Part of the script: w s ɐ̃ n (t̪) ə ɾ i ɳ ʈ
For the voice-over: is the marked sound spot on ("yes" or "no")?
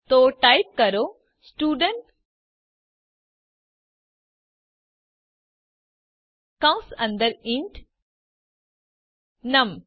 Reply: no